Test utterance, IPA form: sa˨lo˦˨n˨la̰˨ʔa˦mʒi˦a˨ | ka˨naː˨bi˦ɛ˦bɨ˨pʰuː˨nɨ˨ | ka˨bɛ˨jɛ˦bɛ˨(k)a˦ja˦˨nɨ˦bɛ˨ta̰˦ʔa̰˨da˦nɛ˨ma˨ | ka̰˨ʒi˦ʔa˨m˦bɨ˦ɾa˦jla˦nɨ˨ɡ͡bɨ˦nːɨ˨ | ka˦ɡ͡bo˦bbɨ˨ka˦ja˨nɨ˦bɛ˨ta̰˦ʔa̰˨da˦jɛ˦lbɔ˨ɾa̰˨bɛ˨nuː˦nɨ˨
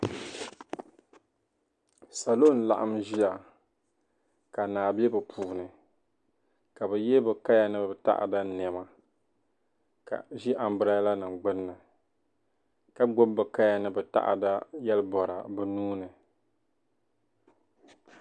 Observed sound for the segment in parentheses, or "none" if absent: k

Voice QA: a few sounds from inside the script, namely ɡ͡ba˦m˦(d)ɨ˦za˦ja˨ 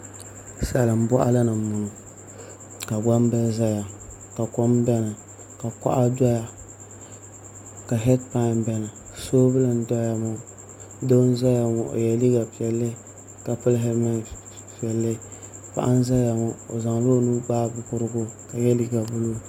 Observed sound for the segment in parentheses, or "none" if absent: b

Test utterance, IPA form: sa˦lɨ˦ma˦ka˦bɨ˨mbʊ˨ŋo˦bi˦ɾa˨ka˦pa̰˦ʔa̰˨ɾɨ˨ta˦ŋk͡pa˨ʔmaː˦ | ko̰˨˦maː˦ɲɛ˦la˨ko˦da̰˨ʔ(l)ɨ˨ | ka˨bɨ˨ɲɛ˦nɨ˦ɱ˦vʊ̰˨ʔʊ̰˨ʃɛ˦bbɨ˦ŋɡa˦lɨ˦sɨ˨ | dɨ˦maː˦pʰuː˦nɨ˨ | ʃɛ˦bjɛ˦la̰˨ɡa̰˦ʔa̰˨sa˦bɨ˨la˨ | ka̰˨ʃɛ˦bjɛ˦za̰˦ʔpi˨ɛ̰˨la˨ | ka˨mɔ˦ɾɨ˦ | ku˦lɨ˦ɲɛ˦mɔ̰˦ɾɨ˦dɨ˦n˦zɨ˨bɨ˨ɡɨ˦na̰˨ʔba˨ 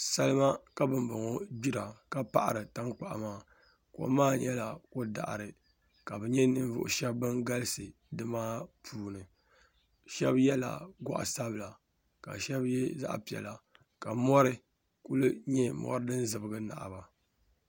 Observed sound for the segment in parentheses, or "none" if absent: ɾ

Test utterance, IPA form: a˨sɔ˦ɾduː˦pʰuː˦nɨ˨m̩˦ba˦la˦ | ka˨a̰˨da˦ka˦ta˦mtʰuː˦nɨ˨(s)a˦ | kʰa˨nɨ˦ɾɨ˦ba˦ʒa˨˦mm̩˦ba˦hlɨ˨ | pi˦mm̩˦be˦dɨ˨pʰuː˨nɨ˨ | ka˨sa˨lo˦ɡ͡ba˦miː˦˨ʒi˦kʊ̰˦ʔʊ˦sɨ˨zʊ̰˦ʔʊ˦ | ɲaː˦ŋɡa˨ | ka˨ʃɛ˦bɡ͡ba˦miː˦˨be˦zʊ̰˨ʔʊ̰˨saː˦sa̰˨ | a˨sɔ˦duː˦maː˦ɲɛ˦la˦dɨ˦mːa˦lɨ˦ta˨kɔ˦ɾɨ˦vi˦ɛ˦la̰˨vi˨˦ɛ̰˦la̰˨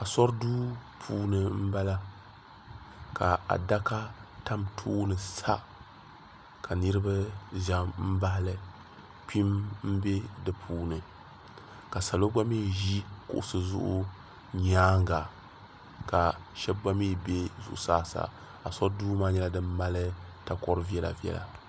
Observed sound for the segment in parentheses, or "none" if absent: s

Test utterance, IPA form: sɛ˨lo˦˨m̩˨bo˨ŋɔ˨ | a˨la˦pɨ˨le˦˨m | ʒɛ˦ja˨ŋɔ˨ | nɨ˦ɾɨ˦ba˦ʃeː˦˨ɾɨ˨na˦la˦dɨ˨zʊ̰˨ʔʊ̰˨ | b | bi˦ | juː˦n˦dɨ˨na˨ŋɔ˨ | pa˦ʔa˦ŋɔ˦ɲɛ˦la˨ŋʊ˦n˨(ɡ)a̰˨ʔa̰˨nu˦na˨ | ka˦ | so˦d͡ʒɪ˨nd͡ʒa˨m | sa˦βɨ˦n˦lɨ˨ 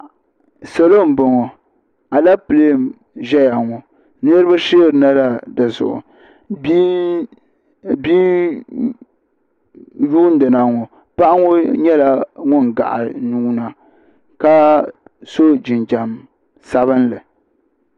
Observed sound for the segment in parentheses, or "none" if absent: ɡ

